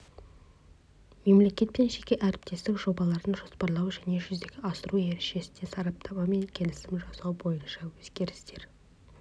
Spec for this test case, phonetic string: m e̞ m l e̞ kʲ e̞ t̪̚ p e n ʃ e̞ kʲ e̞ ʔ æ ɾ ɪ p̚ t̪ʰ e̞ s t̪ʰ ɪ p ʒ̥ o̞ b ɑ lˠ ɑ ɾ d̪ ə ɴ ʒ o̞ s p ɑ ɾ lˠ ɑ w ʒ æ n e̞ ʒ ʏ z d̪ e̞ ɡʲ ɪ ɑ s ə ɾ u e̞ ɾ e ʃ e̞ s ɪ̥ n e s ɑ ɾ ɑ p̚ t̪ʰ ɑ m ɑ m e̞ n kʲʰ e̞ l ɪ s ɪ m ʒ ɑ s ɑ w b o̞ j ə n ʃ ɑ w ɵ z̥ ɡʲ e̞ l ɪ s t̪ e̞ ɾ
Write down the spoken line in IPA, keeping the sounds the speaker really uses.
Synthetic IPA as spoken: m e̞ m l e̞ kʲ e̞ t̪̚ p e n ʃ e̞ kʲ e̞ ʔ æ ɾ ɪ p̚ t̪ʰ e̞ s t̪ ɪ k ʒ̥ o̞ b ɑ lˠ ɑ ɾ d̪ ə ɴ ʒ o̞ s p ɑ ɾ lˠ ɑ w ʒ æ n e̞ ʒ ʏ z d̪ e̞ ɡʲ ɪ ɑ s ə ɾ u e̞ ɾ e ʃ e̞ s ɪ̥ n e s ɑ ɾ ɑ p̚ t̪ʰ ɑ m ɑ m e̞ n kʲʰ e̞ l ɪ s ɪ m ʒ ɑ s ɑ w b o̞ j ə n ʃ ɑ w ɵ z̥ ɡʲ e̞ ɾ ɪ s t̪ e̞ ɾ